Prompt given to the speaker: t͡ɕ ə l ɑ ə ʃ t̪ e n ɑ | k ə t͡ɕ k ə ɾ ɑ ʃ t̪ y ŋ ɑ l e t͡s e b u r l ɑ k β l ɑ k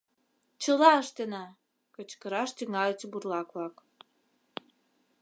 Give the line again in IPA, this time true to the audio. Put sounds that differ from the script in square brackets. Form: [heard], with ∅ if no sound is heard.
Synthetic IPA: t͡ɕ ə l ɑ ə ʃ t̪ e n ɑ | k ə t͡ɕ k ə ɾ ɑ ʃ t̪ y ŋ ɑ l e t͡s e b u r l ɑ k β l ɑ k